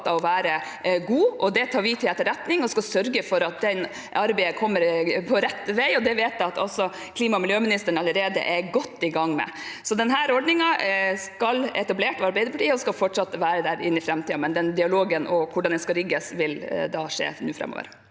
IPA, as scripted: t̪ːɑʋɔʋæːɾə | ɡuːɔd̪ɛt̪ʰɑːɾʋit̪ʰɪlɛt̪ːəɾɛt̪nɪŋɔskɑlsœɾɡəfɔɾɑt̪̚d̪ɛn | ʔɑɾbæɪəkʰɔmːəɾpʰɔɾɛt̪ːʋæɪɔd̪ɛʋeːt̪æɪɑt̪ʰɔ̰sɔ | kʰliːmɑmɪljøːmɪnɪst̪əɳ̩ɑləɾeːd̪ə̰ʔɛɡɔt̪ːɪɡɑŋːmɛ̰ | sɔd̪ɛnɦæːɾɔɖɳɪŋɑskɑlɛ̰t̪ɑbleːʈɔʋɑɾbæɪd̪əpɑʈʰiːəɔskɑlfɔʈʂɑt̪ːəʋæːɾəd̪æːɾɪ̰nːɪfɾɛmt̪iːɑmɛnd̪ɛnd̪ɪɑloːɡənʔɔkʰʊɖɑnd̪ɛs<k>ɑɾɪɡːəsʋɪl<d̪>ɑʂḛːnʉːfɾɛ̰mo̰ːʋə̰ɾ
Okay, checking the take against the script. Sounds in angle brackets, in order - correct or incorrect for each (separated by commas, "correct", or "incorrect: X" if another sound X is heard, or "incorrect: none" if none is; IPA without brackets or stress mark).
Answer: correct, correct